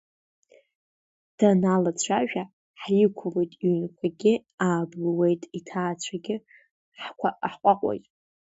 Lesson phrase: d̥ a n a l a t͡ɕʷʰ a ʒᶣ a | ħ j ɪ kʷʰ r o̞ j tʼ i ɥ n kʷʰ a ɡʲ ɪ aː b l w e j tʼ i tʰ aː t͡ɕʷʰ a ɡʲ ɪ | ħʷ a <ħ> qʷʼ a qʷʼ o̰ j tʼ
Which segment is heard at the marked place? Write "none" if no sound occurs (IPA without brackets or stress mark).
ħ